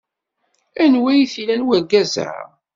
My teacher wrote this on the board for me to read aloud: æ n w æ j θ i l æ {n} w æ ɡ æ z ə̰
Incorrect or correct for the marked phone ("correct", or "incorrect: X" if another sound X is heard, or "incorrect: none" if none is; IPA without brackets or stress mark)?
correct